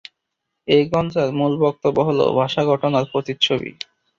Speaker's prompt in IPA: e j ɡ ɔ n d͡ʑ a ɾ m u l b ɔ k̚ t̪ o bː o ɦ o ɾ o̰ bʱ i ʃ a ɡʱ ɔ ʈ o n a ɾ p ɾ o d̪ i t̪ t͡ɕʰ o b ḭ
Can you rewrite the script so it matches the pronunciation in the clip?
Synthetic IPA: e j ɡ ɔ n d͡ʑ a ɾ m u l b ɔ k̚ t̪ o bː o ɦ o l o̰ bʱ a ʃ a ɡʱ ɔ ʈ o n a ɾ p ɾ o t̪ i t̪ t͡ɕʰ o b ḭ